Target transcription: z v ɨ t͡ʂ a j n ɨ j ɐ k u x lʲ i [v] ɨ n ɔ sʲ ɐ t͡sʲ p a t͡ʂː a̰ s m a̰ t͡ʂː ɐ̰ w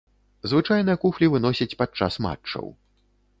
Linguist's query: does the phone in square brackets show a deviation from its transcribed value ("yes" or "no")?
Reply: no